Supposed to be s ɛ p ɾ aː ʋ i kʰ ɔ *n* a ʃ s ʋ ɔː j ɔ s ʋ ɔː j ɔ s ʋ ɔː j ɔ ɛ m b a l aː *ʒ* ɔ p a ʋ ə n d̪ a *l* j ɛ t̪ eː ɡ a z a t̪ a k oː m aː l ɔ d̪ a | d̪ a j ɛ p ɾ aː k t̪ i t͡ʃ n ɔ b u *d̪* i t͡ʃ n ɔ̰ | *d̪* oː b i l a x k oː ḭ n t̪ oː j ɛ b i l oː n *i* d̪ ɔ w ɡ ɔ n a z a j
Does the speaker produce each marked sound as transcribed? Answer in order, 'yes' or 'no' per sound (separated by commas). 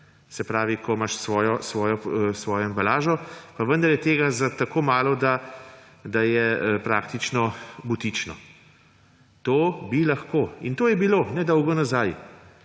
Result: no, yes, no, no, no, no